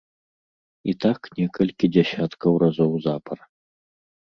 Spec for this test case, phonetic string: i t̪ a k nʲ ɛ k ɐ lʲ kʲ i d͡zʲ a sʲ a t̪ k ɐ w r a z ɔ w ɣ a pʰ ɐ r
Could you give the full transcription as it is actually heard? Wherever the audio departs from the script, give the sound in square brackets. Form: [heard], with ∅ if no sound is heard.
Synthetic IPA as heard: i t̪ a k nʲ ɛ k ɐ lʲ kʲ i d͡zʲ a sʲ a t̪ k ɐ w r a z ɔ w [z] a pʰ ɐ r